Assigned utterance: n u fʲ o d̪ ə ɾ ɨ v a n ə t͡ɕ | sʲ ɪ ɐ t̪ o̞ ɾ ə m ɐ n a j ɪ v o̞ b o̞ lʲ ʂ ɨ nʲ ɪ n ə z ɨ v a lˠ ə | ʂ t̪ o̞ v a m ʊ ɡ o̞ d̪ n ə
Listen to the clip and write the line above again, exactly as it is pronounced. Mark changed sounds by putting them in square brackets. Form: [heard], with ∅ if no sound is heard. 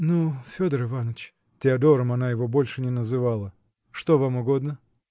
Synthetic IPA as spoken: n u fʲ o d̪ ə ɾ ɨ v a n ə t͡ɕ | [tʲ] ɪ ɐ [d̪] o̞ ɾ ə m ɐ n a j ɪ v o̞ b o̞ lʲ ʂ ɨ nʲ ɪ n ə z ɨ v a lˠ ə | ʂ t̪ o̞ v a m ʊ ɡ o̞ d̪ n ə